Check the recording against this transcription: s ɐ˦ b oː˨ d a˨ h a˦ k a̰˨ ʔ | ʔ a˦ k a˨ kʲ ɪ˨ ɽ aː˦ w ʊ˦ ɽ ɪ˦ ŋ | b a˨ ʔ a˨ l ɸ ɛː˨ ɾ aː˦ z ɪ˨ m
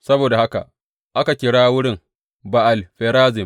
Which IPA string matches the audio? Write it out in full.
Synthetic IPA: s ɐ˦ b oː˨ d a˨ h a˦ k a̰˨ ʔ | ʔ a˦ k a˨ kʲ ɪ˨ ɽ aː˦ w ʊ˦ ɽ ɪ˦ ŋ | b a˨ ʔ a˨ l ɸ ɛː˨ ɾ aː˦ z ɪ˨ m